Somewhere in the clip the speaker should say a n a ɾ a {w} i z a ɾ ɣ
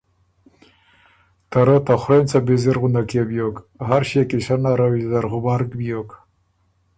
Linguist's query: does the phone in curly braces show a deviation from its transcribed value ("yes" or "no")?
no